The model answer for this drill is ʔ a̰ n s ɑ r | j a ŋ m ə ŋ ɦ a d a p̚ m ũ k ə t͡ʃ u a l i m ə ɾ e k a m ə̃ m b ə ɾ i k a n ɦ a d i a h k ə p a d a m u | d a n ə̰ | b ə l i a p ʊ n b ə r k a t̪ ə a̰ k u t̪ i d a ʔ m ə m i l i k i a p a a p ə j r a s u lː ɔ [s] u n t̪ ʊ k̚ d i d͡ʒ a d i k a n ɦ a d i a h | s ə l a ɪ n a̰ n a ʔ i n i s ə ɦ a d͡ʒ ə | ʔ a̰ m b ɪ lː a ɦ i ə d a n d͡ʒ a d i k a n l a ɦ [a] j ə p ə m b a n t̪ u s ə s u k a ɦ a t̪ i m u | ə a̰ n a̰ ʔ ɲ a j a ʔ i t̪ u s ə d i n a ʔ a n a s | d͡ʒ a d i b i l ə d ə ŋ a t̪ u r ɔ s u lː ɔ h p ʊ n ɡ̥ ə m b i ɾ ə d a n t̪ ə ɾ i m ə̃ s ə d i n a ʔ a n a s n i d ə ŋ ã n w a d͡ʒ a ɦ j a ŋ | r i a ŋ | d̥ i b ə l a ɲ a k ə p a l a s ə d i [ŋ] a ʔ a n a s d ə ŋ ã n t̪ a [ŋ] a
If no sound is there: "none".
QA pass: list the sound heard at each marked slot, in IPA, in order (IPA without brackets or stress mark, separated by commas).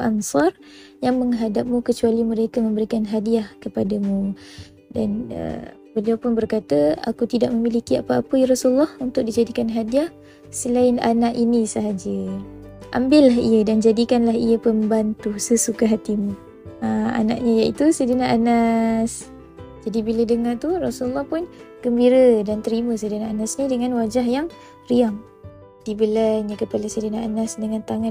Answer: h, i, n, ŋ